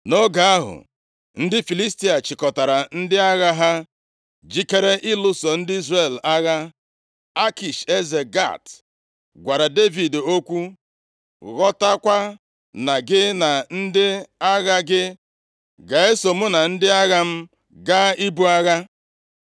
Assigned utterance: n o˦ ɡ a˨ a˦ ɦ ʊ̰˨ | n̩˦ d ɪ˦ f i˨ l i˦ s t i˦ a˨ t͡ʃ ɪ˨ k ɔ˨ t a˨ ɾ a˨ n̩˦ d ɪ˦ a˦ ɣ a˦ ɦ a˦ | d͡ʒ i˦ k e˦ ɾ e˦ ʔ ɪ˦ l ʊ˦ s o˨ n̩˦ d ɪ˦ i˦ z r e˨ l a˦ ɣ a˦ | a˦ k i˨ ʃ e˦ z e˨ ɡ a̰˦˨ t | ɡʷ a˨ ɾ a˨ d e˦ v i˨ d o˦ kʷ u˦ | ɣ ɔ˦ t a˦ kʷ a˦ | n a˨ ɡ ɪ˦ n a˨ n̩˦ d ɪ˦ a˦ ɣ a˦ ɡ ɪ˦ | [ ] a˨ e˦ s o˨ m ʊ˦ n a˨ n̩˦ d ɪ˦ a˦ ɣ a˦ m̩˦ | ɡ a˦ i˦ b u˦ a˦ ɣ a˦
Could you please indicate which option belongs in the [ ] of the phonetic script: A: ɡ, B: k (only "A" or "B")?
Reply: A